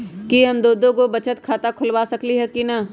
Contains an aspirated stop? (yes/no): yes